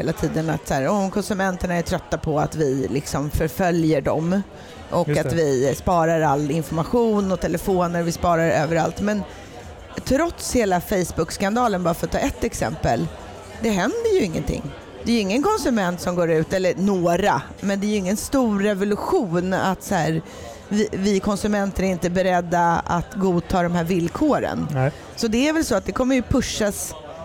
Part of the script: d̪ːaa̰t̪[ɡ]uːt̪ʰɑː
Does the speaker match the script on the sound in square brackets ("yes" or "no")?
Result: yes